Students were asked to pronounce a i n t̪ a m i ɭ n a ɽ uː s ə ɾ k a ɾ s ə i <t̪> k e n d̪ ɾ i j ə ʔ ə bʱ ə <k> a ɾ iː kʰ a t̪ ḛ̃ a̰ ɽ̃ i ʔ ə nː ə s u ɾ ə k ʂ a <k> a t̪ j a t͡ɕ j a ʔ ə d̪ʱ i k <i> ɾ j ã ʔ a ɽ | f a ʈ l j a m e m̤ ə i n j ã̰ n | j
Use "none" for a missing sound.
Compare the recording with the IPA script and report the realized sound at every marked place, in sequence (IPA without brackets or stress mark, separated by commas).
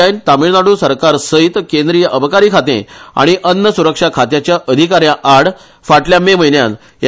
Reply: t̪, k, kʰ, a